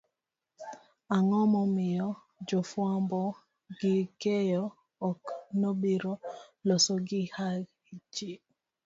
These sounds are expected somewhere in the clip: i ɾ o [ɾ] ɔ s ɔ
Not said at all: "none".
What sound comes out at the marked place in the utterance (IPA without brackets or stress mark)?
l